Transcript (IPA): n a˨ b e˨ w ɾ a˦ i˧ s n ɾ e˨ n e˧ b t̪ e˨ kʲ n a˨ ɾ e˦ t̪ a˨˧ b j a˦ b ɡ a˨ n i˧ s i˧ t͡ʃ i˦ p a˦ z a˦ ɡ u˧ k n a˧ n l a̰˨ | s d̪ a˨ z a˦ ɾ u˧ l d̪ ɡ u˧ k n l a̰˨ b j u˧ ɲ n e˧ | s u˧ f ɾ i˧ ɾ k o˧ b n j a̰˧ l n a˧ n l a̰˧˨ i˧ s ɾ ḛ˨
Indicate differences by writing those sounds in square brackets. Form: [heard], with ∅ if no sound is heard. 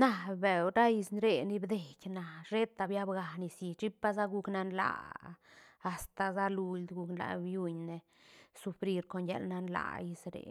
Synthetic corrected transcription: n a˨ b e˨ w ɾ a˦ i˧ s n ɾ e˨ n [i˧] b [d̪] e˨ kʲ n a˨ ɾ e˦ t̪ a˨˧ b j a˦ b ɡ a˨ n i˧ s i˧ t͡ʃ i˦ p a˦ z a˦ ɡ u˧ k n a˧ n l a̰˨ | s [t̪] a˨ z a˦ [l] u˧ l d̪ ɡ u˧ k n l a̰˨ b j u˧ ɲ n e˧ | s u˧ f ɾ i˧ ɾ k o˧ [∅] n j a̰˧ l n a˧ n l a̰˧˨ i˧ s ɾ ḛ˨

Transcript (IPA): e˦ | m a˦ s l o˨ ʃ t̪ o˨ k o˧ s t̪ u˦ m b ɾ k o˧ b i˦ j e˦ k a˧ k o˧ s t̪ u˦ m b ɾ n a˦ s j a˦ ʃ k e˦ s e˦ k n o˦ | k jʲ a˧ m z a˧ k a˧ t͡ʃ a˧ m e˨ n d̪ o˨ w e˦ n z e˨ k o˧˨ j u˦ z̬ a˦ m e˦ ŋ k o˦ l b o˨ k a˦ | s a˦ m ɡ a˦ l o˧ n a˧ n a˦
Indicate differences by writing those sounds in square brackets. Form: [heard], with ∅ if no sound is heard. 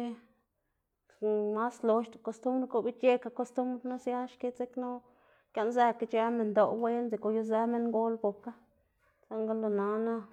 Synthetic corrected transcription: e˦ | m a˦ s l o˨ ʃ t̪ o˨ k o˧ s t̪ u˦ m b ɾ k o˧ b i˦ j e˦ k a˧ k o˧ s t̪ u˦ m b ɾ n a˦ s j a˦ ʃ k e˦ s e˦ k n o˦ | k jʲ a˧ [n] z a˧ k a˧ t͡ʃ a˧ m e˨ n d̪ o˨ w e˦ n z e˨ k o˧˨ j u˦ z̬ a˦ m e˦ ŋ [ɡ] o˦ l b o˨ k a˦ | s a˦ [ŋ] ɡ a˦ l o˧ n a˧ n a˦

